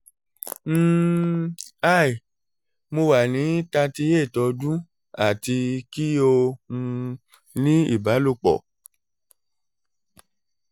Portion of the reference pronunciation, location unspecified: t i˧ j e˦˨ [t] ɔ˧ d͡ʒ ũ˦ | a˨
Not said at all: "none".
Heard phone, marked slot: t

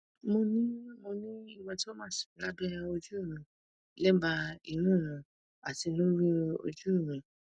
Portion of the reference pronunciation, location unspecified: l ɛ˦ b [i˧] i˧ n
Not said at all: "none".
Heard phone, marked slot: a˧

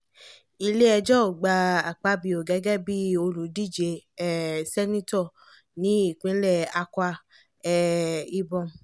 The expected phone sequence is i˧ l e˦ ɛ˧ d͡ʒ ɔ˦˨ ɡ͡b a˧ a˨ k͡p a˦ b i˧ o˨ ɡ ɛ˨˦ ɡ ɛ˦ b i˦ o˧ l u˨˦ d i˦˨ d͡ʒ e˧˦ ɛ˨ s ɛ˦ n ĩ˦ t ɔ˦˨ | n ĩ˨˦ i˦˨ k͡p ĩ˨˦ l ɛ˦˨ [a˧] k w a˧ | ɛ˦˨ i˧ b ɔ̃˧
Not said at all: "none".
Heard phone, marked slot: a˧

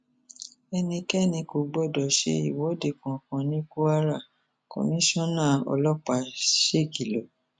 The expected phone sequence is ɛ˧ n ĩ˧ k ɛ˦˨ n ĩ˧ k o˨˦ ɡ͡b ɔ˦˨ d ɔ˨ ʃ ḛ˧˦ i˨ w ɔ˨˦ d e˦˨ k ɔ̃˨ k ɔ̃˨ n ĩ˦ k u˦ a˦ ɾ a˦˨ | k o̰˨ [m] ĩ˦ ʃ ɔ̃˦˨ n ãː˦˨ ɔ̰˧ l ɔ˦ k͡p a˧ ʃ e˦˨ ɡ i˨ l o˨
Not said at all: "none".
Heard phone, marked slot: m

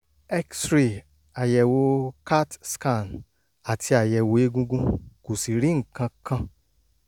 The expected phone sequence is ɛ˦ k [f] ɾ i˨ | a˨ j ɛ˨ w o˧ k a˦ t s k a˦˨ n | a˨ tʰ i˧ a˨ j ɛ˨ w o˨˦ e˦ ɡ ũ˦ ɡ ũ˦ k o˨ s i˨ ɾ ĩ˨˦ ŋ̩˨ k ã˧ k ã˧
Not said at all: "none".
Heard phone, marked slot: s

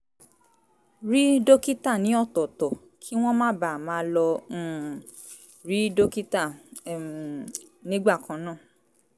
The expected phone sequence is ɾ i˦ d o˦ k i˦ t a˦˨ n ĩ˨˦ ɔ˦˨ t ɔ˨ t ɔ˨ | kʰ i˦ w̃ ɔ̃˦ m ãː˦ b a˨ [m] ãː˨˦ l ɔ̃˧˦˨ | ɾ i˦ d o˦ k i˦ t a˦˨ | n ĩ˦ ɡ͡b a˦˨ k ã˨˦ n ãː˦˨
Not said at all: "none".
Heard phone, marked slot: m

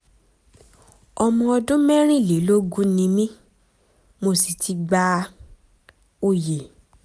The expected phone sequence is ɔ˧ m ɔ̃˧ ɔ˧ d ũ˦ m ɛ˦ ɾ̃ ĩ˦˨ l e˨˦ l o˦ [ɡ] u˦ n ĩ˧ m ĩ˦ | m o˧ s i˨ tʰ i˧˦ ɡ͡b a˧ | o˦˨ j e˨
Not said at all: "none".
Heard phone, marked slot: ɡ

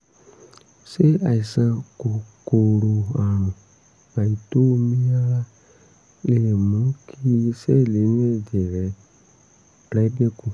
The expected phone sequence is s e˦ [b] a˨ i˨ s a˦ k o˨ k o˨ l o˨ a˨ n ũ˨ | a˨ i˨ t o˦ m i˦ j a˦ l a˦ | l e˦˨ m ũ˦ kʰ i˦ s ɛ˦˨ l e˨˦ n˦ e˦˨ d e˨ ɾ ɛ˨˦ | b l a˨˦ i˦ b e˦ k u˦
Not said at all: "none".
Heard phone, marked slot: none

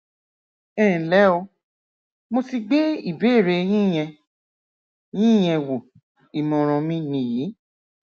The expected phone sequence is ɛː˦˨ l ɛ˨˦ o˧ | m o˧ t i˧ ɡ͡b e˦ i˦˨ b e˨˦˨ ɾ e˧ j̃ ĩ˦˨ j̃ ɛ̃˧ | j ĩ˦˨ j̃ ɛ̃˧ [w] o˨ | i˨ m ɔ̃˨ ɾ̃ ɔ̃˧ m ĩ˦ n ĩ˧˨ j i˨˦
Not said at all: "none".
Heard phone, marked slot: w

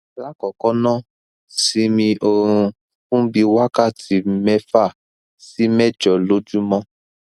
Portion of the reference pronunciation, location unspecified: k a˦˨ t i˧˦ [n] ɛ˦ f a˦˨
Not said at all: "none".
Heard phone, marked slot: m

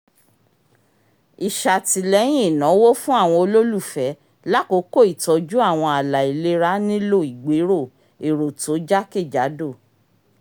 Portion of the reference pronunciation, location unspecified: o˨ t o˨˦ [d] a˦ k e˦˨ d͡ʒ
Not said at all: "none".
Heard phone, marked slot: d͡ʒ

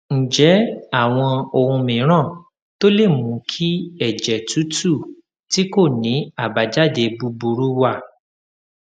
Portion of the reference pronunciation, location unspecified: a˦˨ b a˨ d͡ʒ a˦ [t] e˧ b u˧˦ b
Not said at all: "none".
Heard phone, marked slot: d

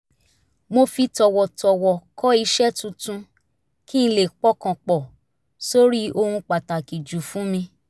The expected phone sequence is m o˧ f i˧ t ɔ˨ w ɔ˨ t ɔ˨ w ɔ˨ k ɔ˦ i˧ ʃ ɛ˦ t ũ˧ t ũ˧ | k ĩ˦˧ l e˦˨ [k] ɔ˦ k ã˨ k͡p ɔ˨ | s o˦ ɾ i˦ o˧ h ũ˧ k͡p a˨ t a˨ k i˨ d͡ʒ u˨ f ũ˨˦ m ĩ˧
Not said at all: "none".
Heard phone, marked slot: k͡p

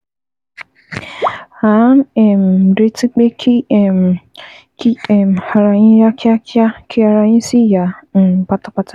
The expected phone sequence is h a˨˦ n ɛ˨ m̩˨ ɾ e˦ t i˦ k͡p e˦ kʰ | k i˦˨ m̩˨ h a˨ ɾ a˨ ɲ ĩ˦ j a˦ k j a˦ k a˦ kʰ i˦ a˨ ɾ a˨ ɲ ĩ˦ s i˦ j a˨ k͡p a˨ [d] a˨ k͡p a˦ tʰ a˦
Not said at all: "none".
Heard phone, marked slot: t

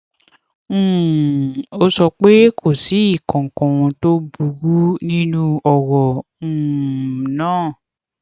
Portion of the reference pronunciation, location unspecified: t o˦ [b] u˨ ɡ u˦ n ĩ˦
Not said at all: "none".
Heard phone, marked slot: b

